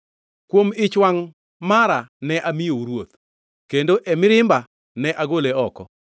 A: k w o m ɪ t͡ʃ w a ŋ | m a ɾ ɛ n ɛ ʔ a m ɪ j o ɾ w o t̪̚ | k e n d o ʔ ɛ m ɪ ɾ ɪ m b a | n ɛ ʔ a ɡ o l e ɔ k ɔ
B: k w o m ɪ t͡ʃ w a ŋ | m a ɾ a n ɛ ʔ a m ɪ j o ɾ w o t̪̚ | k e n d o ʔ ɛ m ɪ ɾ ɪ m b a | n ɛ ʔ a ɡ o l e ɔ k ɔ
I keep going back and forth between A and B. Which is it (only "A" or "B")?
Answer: B